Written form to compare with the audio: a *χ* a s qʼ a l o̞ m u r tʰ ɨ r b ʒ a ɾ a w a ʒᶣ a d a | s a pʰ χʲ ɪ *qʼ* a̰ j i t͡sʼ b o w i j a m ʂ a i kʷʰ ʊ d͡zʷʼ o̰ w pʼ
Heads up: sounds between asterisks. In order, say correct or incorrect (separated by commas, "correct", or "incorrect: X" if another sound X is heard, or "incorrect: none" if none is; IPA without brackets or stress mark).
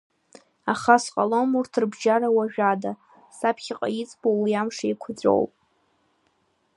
correct, correct